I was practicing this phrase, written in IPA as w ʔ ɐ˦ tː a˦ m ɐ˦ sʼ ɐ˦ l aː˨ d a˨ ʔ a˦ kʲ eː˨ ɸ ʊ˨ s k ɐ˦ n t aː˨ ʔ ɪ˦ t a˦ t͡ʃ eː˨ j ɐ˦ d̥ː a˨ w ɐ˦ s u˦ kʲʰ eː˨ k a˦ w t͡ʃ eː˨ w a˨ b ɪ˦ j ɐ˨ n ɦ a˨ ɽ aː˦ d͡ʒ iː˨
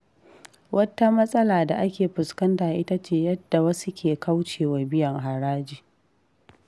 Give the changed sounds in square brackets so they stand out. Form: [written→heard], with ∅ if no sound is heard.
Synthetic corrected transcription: w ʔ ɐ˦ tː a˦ m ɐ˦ sʼ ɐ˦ l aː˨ d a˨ ʔ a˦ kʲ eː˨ ɸ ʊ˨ s k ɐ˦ n t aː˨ ʔ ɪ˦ t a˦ t͡ʃ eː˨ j ɐ˦ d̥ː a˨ w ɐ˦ s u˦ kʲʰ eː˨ k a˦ w t͡ʃ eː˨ w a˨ b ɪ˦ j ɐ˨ [n→ŋ] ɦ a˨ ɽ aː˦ d͡ʒ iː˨